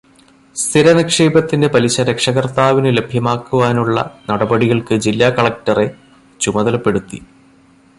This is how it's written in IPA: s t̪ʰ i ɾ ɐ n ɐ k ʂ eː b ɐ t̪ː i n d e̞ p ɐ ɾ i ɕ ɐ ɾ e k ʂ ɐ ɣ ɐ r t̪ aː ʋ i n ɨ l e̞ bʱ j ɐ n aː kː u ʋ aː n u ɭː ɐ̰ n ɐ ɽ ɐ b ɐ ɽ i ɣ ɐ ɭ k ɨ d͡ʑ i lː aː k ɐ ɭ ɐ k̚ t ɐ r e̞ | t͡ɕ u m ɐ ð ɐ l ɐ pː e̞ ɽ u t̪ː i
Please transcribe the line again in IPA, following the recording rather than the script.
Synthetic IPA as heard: s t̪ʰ i ɾ ɐ n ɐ k ʂ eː b ɐ t̪ː i n d e̞ p ɐ l i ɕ ɐ ɾ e k ʂ ɐ ɣ ɐ r t̪ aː ʋ i n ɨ l e̞ bʱ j ɐ m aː kː u ʋ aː n u ɭː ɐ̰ n ɐ ɽ ɐ b ɐ ɽ i ɣ ɐ ɭ k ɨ d͡ʑ i lː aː k ɐ ɭ ɐ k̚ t ɐ r e̞ | t͡ɕ u m ɐ ð ɐ l ɐ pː e̞ ɽ u t̪ː i